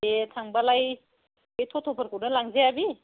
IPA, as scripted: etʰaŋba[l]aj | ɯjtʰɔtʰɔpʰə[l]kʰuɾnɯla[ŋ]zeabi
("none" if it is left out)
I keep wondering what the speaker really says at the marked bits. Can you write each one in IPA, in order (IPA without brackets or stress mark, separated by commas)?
l, ɾ, ŋ